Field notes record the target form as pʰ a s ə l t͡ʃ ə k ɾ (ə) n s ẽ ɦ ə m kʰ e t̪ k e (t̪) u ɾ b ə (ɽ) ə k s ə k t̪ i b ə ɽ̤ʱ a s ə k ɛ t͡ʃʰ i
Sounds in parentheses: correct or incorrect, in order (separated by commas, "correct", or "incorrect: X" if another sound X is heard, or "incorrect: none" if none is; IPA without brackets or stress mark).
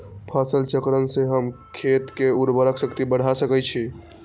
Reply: correct, incorrect: none, incorrect: ɾ